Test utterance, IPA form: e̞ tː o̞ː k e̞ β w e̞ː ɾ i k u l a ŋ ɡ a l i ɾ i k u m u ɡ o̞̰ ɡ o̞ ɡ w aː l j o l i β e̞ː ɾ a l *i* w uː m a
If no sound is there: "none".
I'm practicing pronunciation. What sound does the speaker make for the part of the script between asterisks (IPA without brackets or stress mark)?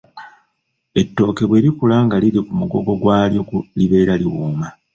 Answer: i